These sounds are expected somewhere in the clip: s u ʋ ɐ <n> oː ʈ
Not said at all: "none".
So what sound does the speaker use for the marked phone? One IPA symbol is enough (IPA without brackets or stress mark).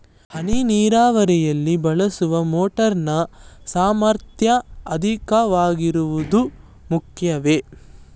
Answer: m